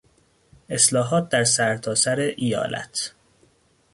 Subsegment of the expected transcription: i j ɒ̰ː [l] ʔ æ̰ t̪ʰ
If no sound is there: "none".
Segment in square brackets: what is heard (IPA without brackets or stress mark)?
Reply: l